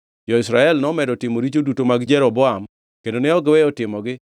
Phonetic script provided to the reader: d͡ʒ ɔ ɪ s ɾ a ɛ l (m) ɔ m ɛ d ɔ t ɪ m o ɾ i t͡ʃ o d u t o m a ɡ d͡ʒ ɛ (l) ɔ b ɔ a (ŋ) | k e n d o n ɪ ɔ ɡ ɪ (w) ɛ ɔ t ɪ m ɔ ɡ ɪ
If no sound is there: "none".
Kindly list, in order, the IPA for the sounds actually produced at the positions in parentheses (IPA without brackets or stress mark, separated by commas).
n, ɾ, m, w